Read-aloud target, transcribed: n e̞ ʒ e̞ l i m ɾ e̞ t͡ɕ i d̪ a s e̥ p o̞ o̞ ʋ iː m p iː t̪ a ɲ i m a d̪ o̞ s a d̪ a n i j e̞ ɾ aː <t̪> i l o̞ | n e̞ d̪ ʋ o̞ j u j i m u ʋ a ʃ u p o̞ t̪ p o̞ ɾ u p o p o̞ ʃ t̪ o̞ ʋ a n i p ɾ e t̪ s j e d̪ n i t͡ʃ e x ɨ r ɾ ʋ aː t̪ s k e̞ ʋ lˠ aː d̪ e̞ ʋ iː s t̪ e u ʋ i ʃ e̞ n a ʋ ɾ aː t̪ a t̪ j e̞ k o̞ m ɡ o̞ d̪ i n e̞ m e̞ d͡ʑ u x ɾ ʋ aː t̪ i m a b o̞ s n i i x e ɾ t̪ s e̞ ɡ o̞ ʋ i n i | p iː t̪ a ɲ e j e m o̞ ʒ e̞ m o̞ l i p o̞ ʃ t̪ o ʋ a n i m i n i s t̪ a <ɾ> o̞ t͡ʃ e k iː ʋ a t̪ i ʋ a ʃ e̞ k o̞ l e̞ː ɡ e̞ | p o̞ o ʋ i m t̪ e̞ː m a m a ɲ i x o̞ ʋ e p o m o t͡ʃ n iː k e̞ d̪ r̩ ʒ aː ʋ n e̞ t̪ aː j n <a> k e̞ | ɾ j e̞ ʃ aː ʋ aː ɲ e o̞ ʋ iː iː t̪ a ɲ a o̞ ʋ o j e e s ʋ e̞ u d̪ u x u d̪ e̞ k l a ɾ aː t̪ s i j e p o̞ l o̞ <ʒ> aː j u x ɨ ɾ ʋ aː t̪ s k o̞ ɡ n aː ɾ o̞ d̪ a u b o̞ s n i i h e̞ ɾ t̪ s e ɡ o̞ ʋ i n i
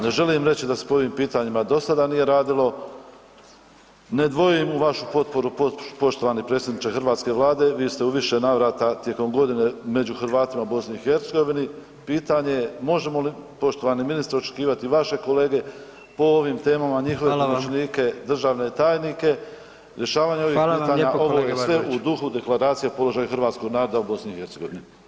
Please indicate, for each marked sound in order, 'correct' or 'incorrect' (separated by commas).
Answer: incorrect, correct, incorrect, correct